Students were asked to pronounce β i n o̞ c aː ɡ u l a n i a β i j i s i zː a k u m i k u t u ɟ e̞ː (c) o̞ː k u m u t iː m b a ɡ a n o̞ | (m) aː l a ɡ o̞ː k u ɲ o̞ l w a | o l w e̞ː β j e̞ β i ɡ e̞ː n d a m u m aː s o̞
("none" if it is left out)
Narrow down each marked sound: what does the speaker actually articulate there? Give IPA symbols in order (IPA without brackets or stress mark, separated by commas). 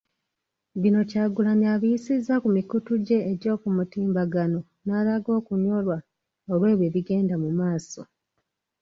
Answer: ɟ, n